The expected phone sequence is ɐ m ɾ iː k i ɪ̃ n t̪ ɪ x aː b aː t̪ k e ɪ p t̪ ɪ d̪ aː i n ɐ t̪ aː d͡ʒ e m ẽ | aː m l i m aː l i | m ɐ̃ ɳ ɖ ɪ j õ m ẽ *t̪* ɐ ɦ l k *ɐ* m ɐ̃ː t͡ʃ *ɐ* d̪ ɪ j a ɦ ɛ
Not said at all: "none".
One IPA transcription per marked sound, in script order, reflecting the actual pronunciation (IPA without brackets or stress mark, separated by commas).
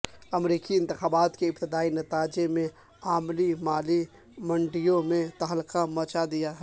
t̪, a, a